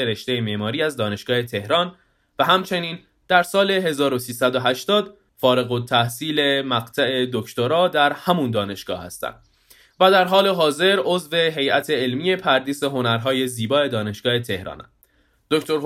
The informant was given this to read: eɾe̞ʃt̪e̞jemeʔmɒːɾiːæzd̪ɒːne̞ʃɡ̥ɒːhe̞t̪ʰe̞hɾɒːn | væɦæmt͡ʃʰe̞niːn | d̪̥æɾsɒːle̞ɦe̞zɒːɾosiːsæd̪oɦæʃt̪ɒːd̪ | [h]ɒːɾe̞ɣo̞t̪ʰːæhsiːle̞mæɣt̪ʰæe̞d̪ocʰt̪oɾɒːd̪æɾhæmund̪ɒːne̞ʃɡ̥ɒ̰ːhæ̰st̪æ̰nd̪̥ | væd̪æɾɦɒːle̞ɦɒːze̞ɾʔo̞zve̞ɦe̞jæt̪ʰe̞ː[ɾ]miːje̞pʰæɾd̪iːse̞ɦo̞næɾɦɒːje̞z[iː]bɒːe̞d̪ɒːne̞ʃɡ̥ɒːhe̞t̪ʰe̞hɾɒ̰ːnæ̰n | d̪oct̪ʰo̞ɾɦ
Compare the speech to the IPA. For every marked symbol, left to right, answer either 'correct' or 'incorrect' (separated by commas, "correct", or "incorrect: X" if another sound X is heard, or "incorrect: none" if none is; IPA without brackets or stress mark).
incorrect: f, incorrect: l, correct